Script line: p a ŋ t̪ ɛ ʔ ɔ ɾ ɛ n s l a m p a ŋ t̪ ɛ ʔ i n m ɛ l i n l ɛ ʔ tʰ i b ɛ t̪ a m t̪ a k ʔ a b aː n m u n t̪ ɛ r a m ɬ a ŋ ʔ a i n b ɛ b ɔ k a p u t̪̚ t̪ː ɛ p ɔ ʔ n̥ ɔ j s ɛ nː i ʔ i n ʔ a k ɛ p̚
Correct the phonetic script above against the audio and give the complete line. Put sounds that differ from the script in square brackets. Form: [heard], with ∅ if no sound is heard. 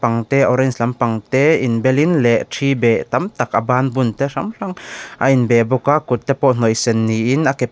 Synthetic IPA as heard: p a ŋ t̪ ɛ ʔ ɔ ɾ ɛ n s l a m p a ŋ t̪ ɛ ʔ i n [b] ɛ l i n l ɛ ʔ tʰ i b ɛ t̪ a m t̪ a k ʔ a b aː n [b] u n t̪ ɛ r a m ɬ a ŋ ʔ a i n b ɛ b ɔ k a [k] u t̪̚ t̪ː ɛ p ɔ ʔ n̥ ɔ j s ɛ nː i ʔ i n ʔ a k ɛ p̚